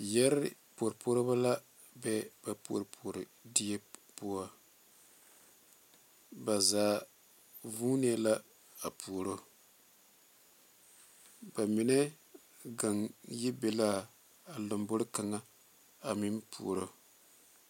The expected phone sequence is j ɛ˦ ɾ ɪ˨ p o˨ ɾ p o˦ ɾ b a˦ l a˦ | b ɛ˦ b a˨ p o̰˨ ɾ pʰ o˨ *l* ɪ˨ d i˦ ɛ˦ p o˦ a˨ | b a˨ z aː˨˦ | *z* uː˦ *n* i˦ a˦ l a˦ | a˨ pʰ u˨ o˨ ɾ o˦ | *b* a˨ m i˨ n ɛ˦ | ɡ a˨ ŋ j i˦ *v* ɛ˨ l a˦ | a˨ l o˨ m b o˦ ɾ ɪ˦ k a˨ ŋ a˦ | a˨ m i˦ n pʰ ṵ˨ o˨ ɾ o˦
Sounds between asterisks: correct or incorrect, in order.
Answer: incorrect, incorrect, correct, correct, incorrect

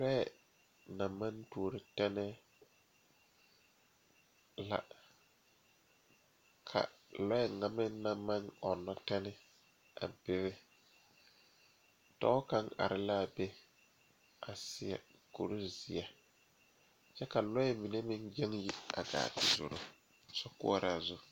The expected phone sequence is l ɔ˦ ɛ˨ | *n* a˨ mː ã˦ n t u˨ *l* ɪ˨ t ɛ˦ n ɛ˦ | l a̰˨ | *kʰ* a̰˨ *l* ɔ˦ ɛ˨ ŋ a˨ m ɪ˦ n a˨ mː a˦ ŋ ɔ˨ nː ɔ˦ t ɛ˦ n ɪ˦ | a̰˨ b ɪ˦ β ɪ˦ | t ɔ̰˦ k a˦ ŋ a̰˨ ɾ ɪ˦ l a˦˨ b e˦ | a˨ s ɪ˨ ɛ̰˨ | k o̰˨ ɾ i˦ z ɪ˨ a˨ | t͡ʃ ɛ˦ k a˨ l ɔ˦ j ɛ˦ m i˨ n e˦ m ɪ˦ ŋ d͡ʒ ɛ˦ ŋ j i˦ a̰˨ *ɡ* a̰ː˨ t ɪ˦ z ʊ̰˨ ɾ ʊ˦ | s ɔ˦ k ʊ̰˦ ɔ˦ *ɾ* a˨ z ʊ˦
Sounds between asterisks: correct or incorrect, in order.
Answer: correct, incorrect, correct, correct, correct, correct

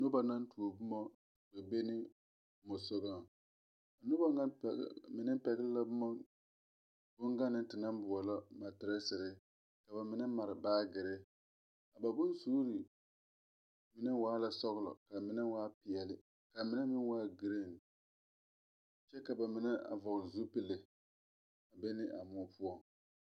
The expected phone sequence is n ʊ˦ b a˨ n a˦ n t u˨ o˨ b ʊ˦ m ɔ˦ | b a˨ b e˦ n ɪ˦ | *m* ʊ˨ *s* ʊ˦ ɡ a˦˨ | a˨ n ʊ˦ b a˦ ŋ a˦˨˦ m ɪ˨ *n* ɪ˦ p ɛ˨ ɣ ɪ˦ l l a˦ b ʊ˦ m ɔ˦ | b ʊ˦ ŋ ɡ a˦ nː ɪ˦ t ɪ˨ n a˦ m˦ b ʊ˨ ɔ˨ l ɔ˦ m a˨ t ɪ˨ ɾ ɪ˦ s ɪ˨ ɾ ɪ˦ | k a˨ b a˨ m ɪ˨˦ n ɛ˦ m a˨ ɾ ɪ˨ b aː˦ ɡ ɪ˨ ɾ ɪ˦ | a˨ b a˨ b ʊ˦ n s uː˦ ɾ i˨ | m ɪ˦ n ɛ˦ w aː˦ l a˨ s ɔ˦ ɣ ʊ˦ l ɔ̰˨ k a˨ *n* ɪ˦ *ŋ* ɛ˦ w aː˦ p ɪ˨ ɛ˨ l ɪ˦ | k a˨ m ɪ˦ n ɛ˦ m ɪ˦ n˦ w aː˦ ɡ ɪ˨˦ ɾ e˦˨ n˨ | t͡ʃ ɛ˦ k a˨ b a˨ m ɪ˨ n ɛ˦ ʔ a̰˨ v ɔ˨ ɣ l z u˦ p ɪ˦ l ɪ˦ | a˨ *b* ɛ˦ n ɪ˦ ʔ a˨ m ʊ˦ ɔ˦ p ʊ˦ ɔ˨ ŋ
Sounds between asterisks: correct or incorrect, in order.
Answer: correct, correct, correct, incorrect, incorrect, correct

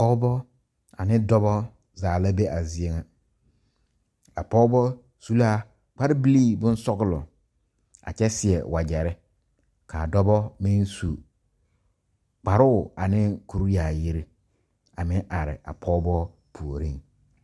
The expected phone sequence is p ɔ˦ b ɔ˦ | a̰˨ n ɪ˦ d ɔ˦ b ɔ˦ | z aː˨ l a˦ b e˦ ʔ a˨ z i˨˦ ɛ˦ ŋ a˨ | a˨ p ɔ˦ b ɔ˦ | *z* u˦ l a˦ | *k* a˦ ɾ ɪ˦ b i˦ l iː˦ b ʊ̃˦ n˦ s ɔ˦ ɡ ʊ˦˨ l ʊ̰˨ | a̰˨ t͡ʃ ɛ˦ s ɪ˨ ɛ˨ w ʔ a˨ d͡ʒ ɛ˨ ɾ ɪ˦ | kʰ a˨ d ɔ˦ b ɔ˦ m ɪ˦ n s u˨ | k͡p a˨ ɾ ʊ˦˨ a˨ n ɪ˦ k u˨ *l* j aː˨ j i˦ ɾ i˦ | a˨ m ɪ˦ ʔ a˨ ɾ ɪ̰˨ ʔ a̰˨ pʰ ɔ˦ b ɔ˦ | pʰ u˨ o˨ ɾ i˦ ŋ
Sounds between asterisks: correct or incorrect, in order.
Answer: incorrect, incorrect, incorrect

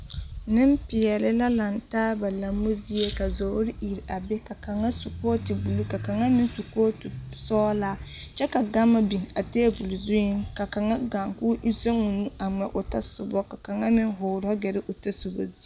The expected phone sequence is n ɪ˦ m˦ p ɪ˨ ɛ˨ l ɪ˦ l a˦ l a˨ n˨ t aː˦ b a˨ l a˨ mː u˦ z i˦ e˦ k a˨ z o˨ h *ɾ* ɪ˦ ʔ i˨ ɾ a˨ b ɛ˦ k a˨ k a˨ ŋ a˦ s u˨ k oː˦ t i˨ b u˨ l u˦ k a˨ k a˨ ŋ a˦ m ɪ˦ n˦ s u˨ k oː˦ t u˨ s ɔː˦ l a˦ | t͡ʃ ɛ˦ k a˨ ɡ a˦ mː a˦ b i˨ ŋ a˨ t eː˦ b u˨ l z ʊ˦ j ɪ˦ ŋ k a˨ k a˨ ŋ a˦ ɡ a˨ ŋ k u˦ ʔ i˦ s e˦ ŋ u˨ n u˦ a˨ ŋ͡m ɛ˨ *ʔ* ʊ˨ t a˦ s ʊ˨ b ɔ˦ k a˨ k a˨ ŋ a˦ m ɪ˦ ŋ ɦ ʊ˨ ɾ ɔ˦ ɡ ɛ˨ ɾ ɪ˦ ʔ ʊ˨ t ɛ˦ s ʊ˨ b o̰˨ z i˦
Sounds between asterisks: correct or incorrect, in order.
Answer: correct, correct

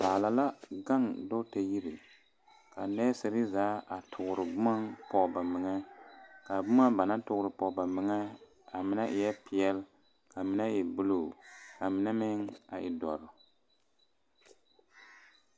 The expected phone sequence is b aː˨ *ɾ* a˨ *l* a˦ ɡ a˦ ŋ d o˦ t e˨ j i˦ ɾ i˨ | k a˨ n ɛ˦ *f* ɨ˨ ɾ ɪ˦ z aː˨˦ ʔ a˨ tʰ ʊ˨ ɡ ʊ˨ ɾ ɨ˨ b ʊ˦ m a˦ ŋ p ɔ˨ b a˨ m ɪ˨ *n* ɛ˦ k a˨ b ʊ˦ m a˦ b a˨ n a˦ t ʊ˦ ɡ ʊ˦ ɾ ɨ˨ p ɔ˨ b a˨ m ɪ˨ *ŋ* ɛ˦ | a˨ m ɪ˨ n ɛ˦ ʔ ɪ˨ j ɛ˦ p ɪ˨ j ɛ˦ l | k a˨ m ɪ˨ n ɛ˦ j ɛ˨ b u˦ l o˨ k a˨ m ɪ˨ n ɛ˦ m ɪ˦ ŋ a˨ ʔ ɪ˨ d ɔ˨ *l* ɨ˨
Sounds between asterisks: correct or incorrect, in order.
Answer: incorrect, correct, incorrect, incorrect, correct, incorrect

